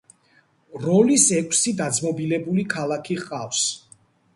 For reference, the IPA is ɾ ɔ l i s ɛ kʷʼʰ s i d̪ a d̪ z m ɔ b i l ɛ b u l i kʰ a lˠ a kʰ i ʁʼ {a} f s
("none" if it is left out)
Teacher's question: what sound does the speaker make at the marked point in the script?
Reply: a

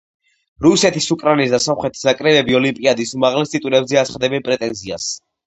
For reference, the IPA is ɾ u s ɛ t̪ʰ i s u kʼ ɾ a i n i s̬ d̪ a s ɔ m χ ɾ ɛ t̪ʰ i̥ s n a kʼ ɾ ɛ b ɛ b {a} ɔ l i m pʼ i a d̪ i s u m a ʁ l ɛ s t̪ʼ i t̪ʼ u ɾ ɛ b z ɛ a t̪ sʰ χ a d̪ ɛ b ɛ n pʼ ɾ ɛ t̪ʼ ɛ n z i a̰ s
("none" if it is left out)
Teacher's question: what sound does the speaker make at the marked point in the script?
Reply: i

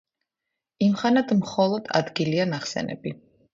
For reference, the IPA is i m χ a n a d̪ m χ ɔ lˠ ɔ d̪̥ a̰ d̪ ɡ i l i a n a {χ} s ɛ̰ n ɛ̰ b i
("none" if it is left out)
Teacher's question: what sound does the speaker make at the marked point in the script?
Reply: χ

